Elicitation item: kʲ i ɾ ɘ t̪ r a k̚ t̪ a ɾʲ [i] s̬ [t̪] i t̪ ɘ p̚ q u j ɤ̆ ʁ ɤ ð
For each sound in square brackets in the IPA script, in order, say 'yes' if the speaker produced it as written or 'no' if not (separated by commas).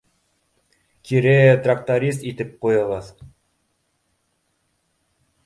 yes, yes